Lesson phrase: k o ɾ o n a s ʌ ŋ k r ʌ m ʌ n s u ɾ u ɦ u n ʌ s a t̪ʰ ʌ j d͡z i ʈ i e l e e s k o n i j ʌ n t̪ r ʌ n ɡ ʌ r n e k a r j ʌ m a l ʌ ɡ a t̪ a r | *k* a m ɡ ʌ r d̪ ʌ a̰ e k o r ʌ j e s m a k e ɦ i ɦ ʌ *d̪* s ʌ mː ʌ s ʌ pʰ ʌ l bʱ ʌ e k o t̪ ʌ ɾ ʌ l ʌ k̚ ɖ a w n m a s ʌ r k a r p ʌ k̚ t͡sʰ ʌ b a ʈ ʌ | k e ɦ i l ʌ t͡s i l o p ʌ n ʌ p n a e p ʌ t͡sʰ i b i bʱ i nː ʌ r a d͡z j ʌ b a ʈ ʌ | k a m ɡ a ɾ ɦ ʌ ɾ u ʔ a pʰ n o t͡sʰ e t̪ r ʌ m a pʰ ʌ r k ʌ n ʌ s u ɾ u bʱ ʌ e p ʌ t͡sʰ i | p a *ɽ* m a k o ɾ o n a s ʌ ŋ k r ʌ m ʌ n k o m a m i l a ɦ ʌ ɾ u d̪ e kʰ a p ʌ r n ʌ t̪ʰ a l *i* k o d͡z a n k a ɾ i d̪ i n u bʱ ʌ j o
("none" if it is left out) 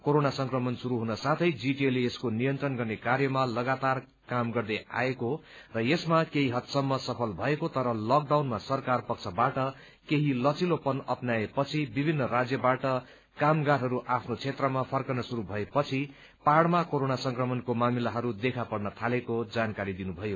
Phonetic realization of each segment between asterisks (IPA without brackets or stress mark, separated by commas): k, t̪, ɽ, e